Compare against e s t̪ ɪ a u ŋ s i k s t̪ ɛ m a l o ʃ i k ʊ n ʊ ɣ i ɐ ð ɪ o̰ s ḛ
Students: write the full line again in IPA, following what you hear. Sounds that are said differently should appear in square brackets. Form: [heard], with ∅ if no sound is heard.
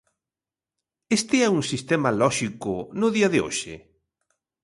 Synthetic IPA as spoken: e s t̪ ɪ [ɛ] u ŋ s i [∅] s t̪ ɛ m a l [ɔ] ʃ i k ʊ n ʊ [ð] i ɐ ð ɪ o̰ [ʃ] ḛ

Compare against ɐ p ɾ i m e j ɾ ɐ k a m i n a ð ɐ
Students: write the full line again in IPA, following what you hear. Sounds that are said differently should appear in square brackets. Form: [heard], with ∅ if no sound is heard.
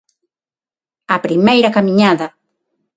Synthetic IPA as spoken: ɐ p ɾ i m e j ɾ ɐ k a m i [ɲ] a ð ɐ

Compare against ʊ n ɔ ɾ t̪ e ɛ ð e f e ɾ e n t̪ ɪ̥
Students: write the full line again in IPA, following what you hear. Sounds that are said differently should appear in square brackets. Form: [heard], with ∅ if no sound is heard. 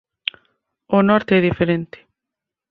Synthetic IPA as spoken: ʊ n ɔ ɾ t̪ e ɛ ð [i] f e ɾ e n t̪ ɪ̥

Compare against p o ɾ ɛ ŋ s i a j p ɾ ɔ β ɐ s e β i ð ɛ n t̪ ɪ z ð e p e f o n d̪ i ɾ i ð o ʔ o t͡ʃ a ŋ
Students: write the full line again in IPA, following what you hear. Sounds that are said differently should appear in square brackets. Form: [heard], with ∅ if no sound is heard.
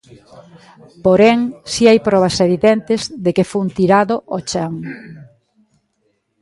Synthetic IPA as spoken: p o ɾ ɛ ŋ s i a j p ɾ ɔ β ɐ s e β i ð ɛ n t̪ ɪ z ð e [k] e f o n [t̪] i ɾ [a] ð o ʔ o t͡ʃ a ŋ

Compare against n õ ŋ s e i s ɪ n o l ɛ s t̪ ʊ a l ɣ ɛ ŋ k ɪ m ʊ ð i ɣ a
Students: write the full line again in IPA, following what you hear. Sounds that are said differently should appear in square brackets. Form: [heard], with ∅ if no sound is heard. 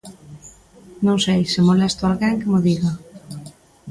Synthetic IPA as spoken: n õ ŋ s e [j] s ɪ [m] o l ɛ s t̪ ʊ a l ɣ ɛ ŋ k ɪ m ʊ ð i ɣ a

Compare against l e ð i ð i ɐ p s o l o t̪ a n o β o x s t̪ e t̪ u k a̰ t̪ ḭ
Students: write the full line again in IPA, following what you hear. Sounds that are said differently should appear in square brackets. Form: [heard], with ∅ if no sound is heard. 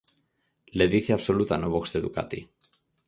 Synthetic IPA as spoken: l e ð i [θ] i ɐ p s o l [u] t̪ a n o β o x s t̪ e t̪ u k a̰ t̪ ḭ

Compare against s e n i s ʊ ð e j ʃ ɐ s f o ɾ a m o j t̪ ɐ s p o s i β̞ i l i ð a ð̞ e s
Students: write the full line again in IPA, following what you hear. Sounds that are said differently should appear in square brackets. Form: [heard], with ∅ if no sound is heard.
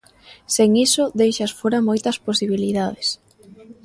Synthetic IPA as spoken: s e [ŋ] i s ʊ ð e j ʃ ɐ s f o ɾ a m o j t̪ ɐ s p o s i β̞ i l i ð a ð̞ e s

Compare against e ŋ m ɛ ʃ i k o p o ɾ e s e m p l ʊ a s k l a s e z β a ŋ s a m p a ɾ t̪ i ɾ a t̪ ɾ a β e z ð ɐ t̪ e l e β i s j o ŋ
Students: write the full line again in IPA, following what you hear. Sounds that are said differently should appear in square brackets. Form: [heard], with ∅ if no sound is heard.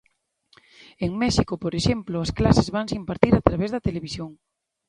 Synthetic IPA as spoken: e ŋ m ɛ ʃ i k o p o ɾ e [ʃ] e m p l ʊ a s k l a s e z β a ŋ s [i] m p a ɾ t̪ i ɾ a t̪ ɾ a β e z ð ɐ t̪ e l e β i s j o ŋ

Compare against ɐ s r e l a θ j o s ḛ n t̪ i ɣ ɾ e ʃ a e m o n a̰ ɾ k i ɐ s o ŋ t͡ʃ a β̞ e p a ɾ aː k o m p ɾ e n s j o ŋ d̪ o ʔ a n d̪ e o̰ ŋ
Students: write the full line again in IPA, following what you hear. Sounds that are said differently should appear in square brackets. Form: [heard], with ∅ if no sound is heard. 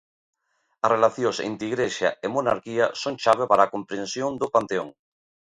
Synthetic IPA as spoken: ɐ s r e l a θ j o s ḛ n t̪ i ɣ ɾ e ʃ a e m o n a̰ ɾ k i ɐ s o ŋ t͡ʃ a β̞ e p a ɾ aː k o m p ɾ e n s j o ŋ d̪ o [p] a n [t̪] e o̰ ŋ

